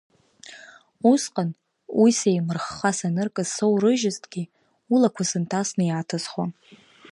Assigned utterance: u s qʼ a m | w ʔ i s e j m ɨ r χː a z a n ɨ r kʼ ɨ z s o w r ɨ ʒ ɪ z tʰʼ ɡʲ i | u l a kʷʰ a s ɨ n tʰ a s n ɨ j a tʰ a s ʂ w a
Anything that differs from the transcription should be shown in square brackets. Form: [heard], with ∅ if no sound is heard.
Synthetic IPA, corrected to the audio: u s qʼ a [n] | w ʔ i s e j m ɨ r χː a [s] a n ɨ r kʼ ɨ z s o w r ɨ ʒ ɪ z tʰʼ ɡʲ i | u l a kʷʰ a s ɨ n tʰ a s n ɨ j a tʰ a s [χ] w a